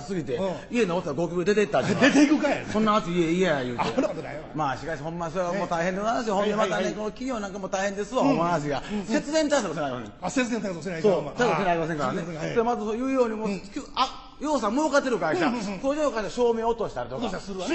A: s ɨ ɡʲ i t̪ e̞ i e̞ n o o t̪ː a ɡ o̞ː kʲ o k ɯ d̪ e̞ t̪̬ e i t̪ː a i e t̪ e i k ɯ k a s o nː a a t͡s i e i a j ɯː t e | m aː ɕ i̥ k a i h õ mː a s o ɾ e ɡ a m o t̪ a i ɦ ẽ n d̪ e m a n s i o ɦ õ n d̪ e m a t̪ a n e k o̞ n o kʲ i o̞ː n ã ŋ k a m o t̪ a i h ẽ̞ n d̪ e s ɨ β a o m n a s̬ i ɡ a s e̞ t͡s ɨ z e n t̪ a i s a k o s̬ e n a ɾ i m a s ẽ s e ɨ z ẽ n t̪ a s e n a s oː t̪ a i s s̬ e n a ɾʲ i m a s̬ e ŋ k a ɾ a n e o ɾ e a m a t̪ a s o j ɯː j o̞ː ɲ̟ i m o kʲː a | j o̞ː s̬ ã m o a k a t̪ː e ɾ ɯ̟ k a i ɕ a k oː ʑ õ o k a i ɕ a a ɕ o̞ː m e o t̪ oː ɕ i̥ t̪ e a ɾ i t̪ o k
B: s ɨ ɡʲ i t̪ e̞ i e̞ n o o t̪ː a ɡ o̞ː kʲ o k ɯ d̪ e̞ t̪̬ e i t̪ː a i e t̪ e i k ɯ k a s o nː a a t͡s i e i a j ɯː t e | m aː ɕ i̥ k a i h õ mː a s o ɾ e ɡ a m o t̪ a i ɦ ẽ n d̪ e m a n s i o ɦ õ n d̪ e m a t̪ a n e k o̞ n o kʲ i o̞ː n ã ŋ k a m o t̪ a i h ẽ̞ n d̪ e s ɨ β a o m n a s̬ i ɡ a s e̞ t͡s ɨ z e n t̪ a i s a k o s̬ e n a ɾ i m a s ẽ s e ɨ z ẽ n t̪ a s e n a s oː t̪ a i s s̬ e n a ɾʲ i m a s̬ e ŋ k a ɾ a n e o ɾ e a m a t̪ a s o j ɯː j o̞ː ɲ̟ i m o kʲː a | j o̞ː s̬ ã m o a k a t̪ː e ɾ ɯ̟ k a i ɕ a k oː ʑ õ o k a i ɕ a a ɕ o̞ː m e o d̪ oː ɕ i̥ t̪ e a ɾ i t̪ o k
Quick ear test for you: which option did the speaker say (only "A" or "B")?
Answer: A